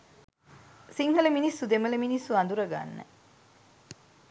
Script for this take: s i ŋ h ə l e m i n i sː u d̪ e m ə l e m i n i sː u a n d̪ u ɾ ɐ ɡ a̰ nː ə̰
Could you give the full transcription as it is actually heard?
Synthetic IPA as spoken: s i ŋ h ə l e m i n i sː u d̪ e m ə l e m i n i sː u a n d̪ u ɾ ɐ ɡ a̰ nː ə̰